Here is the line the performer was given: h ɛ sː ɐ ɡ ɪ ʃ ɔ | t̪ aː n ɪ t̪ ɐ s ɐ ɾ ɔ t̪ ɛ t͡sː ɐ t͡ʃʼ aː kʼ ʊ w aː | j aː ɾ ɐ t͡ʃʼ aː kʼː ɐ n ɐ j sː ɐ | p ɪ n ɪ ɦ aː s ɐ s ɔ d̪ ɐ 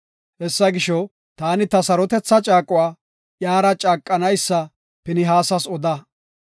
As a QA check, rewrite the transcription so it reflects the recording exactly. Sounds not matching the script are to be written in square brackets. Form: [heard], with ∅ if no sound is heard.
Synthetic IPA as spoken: h ɛ sː ɐ ɡ ɪ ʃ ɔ | t̪ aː n ɪ t̪ ɐ s ɐ ɾ ɔ t̪ ɛ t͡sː ɐ t͡ʃʼ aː kʼ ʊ w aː | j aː ɾ ɐ t͡ʃʼ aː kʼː ɐ n ɐ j sː ɐ | p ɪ n ɪ ɦ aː s ɐ s ɔ d̪ ɐ